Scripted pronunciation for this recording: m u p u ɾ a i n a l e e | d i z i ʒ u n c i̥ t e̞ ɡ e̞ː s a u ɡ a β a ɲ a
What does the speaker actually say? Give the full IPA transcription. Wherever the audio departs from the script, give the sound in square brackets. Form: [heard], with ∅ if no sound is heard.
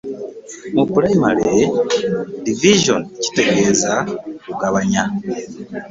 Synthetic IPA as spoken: m u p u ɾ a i [m] a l e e | d i [v] i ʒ [o] n c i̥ t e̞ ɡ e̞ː [z] a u ɡ a β a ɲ a